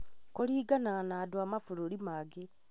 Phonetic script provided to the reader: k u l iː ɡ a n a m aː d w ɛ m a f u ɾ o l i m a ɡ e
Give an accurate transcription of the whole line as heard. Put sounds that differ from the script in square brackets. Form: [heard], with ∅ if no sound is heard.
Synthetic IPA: k [o] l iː ɡ a n a [n] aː d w [a] m a f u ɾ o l i m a ɡ e